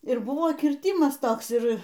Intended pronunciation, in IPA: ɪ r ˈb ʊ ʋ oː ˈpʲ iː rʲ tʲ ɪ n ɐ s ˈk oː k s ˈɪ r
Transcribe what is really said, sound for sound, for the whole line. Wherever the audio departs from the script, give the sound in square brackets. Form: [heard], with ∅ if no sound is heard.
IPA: ɪ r ˈb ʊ ʋ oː [ˈkʲ] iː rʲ tʲ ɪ [m] ɐ s [ˈt] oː k s ˈɪ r